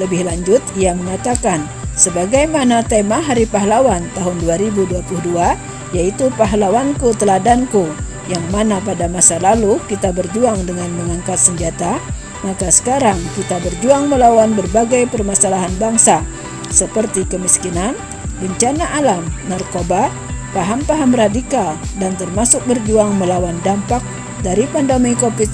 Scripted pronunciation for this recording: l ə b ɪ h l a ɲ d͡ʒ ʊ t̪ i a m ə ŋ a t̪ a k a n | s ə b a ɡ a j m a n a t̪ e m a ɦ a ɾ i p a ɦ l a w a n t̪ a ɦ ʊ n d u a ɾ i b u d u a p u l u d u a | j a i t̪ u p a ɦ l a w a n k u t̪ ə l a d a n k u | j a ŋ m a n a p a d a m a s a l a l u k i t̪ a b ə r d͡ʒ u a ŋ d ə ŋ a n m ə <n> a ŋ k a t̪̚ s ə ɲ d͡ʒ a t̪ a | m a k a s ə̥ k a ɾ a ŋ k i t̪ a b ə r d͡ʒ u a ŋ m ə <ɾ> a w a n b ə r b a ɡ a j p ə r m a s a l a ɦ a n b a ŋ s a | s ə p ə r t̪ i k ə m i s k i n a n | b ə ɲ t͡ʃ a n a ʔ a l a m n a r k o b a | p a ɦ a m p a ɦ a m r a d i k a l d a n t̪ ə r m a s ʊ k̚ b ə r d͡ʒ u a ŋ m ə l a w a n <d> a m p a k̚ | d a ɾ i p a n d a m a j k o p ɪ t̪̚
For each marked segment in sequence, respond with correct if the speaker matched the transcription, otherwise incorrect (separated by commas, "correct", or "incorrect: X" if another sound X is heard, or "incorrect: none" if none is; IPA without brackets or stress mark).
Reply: incorrect: ŋ, incorrect: l, correct